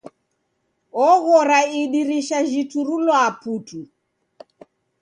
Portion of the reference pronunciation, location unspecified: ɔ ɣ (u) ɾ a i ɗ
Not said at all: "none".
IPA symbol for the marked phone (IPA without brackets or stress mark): ɔ